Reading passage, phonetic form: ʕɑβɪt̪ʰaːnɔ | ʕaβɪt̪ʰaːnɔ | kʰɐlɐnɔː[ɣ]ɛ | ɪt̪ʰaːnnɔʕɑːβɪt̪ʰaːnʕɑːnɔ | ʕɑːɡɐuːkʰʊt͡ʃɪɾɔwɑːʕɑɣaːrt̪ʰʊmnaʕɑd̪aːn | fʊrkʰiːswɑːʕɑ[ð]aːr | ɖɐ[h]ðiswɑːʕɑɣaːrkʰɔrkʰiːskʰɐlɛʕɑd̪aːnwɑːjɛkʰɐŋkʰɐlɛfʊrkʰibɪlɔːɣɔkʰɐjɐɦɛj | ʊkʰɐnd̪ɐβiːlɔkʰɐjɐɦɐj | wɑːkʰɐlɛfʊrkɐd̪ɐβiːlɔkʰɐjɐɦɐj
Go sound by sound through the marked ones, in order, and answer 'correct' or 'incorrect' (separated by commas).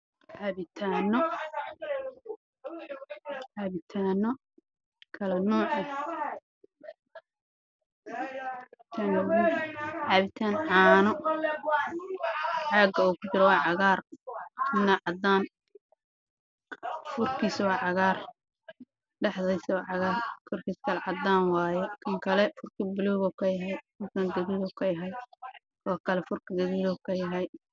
incorrect, incorrect, incorrect